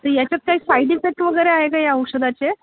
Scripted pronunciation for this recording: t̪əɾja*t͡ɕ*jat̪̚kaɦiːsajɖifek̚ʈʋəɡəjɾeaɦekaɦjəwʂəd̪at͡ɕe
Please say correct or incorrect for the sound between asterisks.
correct